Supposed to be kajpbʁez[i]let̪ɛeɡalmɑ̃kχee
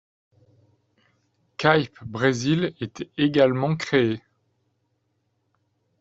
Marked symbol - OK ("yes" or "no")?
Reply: yes